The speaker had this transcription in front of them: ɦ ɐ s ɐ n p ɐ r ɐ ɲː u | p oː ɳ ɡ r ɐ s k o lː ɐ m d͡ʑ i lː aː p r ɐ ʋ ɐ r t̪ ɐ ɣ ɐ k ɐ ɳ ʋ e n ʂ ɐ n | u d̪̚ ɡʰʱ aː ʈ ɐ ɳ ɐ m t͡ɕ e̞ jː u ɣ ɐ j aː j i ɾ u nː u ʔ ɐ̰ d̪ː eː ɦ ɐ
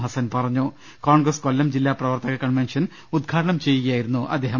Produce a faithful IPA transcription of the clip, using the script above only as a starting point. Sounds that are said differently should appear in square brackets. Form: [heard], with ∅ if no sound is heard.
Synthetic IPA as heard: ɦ ɐ s ɐ n p ɐ r ɐ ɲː u | [k] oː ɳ ɡ r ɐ s k o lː ɐ m d͡ʑ i lː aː p r ɐ ʋ ɐ r t̪ ɐ ɣ ɐ k ɐ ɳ ʋ e n ʂ ɐ n | u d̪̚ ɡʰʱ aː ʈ ɐ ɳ ɐ m t͡ɕ e̞ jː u ɣ ɐ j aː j i ɾ u nː u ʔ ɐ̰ d̪ː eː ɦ ɐ